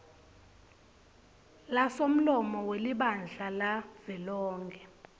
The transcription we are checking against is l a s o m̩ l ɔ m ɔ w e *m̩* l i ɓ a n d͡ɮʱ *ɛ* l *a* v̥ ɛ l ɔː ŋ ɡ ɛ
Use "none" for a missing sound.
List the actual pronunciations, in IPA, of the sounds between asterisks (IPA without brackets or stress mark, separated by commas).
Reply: none, a, a